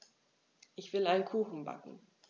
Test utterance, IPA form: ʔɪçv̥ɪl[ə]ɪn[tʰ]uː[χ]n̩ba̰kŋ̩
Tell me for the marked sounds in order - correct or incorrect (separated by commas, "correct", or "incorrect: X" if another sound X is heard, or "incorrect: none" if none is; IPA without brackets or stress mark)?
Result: incorrect: a, incorrect: kʰ, incorrect: x